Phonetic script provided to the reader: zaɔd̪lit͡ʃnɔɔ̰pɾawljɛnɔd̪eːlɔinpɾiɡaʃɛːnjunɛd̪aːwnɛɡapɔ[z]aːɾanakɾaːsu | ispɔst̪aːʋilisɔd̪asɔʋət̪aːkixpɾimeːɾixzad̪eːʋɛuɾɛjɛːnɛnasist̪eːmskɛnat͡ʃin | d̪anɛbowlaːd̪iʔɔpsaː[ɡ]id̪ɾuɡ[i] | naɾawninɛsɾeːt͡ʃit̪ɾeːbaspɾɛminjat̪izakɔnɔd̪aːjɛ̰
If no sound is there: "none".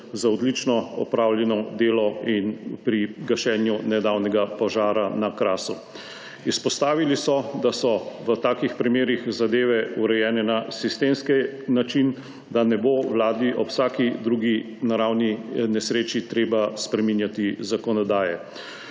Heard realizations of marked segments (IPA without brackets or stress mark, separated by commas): ʒ, k, i